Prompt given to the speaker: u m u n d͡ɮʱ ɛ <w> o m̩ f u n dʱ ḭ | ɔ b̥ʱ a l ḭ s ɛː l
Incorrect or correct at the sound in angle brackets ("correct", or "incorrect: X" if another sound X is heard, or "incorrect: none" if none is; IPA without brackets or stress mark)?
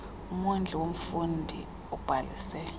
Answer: correct